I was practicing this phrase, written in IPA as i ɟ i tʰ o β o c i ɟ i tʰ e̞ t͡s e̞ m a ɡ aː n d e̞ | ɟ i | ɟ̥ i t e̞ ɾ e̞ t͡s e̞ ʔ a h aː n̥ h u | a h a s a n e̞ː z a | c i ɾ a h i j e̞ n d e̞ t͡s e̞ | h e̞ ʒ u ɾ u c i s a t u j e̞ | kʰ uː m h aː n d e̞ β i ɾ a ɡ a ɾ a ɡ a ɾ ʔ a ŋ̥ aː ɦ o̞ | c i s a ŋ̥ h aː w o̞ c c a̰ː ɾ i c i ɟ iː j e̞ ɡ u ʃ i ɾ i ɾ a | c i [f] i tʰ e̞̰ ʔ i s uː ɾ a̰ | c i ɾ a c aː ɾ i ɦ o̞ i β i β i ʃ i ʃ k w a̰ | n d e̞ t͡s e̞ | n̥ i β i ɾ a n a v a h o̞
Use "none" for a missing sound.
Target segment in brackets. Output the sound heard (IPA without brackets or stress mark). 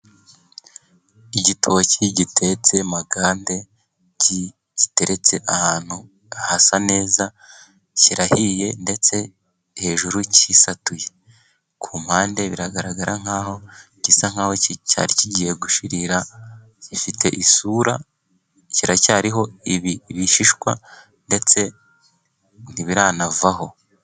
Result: f